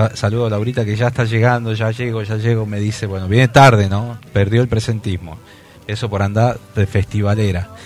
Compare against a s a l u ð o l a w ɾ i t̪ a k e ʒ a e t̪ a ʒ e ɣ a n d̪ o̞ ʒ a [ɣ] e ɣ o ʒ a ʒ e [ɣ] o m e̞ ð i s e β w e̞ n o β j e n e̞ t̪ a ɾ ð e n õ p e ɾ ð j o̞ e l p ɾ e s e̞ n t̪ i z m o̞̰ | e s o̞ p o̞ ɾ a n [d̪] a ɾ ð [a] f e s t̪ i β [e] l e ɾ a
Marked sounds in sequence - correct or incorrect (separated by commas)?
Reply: incorrect, correct, correct, incorrect, incorrect